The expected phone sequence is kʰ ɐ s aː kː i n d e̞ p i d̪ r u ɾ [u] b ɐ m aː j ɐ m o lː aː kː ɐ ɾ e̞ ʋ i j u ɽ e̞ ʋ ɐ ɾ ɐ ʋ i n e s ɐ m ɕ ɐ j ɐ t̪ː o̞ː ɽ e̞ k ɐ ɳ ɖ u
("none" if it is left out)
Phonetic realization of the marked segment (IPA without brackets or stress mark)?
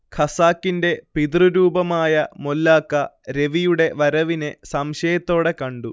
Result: uː